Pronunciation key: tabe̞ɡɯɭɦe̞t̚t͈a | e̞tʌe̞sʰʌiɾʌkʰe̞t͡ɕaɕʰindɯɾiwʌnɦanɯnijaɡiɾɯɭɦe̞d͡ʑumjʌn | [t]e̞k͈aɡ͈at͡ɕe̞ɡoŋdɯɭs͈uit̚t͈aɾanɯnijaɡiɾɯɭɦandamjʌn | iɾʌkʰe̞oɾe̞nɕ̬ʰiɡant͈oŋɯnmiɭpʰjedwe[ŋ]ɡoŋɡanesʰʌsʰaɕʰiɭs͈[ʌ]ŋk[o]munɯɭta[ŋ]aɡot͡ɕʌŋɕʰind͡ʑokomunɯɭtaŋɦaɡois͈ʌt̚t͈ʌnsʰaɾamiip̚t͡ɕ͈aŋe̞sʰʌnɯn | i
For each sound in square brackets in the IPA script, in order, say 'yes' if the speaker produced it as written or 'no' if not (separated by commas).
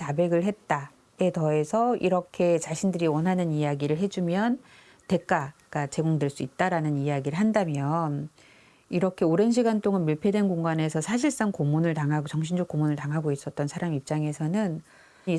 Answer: yes, no, no, yes, yes